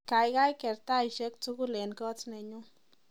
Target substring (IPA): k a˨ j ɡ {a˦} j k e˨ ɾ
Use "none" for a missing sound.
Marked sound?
a˦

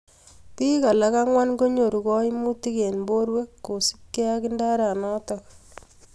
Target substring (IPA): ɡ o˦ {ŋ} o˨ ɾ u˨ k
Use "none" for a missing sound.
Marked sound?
ɲ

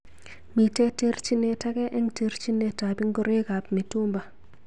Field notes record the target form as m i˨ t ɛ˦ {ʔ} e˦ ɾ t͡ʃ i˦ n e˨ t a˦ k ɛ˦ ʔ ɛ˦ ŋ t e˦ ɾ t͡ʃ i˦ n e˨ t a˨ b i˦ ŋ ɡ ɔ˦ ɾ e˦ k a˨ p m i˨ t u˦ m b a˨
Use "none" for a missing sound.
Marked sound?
t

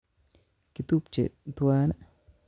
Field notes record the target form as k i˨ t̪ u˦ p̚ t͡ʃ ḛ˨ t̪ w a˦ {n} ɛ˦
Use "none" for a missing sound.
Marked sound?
n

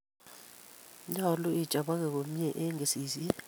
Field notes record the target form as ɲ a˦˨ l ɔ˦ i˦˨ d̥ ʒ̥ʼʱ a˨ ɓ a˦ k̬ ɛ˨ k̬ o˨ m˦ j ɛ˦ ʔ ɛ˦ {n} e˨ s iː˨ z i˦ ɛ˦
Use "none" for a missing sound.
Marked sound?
ŋ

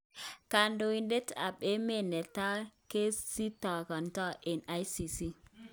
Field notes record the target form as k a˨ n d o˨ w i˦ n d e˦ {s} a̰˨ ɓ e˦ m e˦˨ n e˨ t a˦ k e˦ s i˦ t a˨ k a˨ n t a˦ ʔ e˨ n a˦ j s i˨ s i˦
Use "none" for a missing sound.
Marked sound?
t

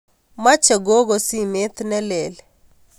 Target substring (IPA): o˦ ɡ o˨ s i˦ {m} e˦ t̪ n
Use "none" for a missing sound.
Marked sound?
m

